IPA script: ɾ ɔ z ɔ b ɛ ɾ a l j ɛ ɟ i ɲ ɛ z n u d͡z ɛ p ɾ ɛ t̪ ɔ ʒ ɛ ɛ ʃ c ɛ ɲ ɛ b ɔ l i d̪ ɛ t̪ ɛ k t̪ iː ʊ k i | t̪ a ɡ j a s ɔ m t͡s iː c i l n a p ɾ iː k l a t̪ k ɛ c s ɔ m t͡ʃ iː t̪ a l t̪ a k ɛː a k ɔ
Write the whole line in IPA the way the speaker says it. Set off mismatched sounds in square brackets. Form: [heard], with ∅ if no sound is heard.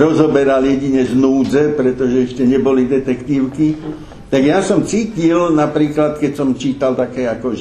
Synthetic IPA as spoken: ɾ ɔ z ɔ b ɛ ɾ a l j ɛ ɟ i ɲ ɛ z n [uː] d͡z ɛ p ɾ ɛ t̪ ɔ ʒ ɛ ɛ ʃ c ɛ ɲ ɛ b ɔ l i d̪ ɛ t̪ ɛ k t̪ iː ʊ k i | t̪ a ɡ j a s ɔ m t͡s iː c i l n a p ɾ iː k l a t̪ k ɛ c s ɔ m t͡ʃ iː t̪ a l t̪ a k ɛː a k ɔ